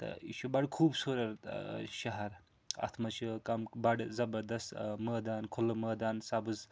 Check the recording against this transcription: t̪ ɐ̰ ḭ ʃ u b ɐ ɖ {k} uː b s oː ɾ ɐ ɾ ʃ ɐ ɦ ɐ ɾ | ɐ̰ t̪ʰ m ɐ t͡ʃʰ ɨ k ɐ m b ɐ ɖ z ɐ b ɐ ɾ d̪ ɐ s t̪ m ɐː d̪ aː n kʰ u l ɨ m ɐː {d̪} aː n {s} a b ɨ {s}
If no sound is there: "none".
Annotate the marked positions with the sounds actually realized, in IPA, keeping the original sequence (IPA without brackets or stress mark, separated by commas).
kʰ, d̪, s, z